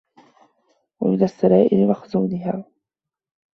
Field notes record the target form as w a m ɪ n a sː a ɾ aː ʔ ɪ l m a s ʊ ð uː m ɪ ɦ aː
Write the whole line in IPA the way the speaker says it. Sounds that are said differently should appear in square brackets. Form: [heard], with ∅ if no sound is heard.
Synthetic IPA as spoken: w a m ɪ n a sː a ɾ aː ʔ ɪ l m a [x] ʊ [z] uː [n] ɪ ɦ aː